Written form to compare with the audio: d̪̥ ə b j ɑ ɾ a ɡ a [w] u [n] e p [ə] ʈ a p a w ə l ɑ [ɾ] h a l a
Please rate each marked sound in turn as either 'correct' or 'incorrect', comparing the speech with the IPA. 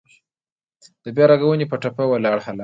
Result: correct, correct, correct, incorrect

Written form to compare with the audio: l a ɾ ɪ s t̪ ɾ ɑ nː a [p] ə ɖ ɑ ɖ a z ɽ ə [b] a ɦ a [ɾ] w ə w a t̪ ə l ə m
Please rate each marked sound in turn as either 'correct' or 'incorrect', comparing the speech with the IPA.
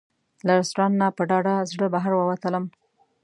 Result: correct, correct, correct

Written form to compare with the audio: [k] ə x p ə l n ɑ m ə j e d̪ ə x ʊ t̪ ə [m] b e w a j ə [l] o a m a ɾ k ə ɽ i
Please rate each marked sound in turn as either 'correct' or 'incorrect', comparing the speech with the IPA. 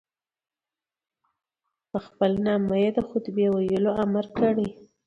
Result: incorrect, incorrect, correct

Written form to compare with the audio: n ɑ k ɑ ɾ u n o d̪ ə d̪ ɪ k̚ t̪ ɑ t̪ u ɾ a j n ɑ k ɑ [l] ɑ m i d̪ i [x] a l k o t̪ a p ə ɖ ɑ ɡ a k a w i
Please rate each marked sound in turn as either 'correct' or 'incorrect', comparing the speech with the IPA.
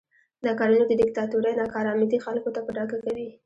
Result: incorrect, correct

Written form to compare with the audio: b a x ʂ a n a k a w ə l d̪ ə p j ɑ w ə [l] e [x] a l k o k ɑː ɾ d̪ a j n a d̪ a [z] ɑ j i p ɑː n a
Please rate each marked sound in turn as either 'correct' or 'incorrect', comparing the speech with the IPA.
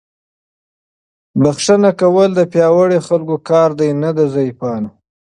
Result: incorrect, correct, correct

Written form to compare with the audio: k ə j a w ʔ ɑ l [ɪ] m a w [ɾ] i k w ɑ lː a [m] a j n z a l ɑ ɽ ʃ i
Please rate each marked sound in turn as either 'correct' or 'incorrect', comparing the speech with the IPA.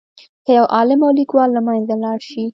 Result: correct, incorrect, correct

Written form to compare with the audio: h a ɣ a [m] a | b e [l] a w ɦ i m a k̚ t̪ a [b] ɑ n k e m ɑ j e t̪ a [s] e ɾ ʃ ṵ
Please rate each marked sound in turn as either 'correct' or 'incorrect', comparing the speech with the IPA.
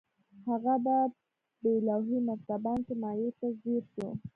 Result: incorrect, correct, correct, incorrect

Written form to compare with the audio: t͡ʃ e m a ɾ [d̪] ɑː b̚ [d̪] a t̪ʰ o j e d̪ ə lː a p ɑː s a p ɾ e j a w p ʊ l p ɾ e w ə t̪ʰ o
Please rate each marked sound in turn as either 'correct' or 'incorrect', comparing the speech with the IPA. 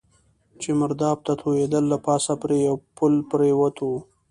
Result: correct, incorrect

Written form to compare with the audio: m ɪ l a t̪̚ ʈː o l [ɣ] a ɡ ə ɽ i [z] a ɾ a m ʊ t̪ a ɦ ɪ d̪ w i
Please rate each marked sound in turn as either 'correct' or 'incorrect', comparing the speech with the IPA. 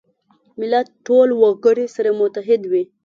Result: incorrect, incorrect

